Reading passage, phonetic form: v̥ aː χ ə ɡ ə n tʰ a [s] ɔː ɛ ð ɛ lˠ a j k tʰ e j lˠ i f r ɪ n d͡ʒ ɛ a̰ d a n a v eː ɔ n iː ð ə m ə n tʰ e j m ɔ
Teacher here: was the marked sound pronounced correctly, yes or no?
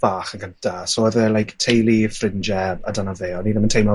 yes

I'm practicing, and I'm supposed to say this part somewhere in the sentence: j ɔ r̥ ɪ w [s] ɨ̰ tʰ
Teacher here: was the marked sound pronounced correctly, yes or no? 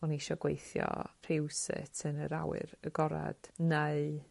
yes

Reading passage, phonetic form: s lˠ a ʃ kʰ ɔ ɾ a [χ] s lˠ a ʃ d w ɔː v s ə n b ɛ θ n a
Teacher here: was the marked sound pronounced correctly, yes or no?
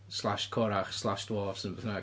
yes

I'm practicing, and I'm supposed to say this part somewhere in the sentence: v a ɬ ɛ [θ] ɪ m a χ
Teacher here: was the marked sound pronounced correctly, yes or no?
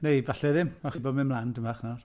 no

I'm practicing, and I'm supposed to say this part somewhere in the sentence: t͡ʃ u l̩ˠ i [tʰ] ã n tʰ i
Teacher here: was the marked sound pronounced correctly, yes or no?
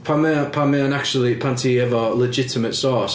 no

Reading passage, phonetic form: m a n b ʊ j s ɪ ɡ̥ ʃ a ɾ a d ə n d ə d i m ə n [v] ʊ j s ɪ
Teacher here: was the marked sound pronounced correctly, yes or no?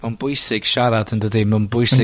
no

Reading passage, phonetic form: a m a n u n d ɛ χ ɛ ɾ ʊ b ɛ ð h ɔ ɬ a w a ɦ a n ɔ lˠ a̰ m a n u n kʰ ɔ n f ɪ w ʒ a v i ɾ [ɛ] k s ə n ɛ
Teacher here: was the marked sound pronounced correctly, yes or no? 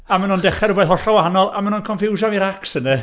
no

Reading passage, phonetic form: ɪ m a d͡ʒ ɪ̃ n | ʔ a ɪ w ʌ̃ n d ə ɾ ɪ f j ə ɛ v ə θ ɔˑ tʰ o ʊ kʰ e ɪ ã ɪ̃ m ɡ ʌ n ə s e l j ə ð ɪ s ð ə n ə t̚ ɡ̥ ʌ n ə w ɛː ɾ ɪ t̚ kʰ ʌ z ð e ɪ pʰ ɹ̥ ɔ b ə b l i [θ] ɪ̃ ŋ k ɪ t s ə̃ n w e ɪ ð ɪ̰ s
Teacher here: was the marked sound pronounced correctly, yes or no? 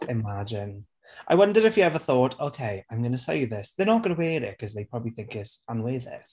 yes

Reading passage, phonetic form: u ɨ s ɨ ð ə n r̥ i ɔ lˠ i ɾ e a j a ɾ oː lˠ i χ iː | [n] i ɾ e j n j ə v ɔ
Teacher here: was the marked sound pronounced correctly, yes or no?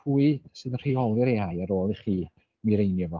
no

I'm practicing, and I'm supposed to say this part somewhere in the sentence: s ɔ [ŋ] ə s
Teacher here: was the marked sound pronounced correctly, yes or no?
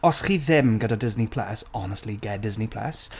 no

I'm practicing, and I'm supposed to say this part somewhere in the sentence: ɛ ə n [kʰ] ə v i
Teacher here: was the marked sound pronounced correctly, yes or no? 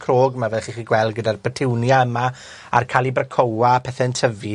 no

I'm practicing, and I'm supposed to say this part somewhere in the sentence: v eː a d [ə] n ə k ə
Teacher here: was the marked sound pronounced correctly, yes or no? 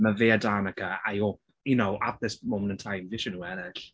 no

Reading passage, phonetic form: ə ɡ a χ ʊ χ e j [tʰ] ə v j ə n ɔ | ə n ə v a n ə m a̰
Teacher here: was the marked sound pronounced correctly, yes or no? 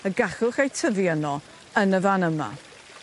yes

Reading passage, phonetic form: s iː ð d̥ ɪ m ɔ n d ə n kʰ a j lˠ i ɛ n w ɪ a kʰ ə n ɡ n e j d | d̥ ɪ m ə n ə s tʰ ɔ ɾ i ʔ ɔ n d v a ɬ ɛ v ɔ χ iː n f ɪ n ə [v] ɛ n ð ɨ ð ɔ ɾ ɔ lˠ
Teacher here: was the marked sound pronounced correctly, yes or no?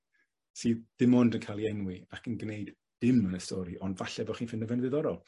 yes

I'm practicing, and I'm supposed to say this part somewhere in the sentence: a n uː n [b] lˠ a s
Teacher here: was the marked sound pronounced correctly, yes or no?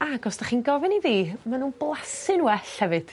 yes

